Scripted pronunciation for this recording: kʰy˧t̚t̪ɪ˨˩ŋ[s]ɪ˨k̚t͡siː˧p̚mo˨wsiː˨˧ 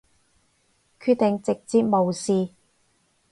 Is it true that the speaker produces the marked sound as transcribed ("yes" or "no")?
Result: no